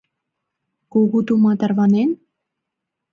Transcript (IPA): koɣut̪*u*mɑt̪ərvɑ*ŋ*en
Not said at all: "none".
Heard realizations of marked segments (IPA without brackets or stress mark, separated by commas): u, n